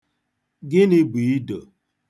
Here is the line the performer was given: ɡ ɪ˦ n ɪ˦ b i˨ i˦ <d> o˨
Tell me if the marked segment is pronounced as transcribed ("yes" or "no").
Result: yes